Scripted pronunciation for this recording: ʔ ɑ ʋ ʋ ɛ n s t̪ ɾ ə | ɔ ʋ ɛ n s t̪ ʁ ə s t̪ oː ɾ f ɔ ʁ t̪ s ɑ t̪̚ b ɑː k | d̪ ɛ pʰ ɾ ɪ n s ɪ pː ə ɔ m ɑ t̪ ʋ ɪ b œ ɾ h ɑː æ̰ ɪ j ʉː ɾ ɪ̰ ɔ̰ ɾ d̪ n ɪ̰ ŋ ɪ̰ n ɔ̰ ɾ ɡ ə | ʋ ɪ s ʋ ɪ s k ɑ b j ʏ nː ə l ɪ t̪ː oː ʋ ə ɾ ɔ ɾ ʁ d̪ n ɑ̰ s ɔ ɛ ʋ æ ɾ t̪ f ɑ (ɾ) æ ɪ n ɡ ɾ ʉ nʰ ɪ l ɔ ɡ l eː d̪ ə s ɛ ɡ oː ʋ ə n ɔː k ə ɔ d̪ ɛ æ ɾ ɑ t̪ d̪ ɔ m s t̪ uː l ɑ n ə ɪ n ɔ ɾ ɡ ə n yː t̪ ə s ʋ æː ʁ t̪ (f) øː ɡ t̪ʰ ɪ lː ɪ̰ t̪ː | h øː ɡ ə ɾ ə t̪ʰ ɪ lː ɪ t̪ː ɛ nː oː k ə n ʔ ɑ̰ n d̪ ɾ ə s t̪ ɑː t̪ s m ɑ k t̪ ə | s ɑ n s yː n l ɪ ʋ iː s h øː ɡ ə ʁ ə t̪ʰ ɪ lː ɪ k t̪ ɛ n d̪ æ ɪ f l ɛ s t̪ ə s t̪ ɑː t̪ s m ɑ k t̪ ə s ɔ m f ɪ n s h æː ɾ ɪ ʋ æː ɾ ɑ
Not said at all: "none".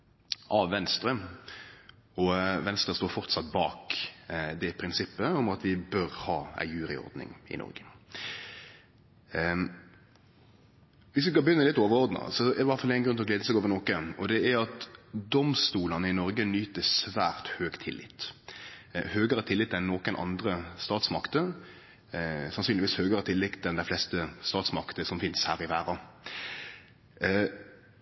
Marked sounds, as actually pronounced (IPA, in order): l, h

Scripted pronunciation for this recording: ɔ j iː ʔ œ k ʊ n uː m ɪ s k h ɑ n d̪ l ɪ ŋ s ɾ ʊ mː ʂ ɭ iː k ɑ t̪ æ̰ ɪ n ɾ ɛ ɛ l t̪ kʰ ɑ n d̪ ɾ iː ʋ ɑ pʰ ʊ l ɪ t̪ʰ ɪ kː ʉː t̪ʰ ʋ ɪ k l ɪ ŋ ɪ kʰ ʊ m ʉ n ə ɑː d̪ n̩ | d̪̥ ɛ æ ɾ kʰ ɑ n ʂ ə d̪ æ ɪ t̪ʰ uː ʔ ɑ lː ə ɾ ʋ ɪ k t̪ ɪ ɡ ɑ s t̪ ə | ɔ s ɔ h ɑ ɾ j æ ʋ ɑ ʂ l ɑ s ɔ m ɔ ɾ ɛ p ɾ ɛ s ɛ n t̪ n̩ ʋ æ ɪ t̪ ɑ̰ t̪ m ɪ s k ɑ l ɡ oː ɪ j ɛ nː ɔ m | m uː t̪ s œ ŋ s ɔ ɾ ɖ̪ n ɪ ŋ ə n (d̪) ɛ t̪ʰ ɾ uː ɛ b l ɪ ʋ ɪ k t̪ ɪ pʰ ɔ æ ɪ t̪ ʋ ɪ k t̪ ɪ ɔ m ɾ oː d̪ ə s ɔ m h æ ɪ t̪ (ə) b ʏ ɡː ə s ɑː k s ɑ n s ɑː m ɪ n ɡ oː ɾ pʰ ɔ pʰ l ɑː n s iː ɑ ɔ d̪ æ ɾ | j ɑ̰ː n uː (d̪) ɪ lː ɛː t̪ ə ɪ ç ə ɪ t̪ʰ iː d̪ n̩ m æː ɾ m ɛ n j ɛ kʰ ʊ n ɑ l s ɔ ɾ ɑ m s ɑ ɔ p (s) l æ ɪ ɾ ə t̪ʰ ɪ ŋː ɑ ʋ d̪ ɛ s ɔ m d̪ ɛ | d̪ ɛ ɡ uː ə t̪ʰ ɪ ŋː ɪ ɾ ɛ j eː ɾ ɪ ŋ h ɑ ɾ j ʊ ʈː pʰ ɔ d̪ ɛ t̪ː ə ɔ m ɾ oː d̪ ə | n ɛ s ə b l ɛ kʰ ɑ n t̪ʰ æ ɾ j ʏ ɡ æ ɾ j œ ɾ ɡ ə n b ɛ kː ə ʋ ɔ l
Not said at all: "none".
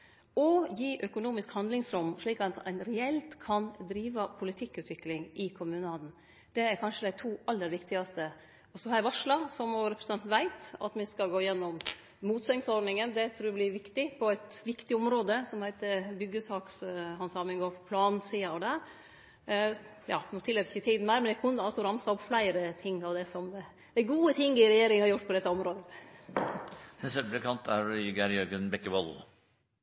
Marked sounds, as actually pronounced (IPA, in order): d̪, ə, t̪, f

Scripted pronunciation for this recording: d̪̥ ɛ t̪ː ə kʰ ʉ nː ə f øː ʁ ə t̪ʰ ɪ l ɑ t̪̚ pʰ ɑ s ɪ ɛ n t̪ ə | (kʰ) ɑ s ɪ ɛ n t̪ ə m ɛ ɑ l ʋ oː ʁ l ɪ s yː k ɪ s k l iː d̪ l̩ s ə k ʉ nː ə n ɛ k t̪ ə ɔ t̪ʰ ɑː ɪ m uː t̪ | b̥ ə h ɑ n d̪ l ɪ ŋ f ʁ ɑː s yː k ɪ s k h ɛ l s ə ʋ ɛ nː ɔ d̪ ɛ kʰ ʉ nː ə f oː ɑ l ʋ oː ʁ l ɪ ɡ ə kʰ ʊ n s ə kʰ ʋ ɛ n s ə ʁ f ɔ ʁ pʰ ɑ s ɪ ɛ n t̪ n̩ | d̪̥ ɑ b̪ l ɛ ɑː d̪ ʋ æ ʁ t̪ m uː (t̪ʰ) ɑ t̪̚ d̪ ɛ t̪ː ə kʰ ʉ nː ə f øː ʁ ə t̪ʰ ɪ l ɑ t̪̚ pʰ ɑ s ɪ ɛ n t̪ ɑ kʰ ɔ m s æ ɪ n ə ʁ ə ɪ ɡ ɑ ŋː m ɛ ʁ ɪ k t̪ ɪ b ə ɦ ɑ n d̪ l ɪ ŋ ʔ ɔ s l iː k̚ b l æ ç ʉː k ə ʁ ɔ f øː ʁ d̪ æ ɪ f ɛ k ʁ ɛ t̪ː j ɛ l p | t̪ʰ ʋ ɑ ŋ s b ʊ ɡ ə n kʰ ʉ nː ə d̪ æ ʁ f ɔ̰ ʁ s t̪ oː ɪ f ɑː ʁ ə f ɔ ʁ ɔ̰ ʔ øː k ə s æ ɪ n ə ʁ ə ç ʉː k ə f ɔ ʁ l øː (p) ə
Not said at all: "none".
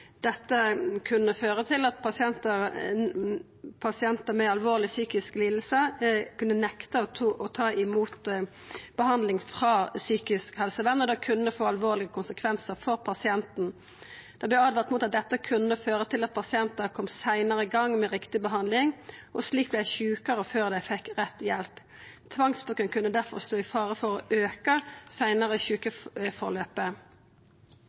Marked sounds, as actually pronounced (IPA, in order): pʰ, t̪, p

